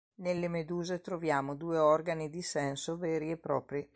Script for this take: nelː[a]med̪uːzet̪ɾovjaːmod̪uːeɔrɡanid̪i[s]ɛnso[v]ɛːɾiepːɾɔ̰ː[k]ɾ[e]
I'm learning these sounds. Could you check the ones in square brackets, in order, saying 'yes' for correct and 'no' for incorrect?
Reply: no, yes, yes, no, no

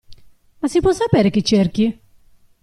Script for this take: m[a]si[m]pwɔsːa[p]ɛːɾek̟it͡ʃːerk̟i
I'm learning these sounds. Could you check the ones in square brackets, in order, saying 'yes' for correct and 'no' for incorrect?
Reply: yes, no, yes

